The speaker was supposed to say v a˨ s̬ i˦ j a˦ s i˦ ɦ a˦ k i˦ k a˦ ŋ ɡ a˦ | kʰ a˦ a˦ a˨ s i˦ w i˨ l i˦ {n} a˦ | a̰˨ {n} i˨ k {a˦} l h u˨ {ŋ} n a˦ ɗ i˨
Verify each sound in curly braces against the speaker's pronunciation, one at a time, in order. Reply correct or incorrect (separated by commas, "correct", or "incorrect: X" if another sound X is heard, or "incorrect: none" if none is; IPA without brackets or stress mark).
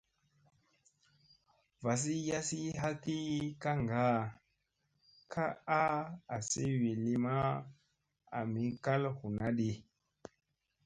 incorrect: m, incorrect: m, correct, incorrect: none